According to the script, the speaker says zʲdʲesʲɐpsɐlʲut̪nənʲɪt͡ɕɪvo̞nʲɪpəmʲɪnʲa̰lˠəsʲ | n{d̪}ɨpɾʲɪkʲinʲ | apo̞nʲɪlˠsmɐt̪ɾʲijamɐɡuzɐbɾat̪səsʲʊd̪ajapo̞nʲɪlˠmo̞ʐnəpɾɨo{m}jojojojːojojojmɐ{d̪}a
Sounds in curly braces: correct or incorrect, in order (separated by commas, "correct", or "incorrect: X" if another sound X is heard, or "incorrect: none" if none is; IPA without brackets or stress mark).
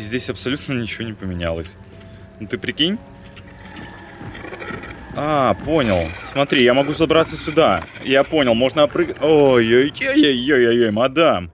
incorrect: t̪, incorrect: none, correct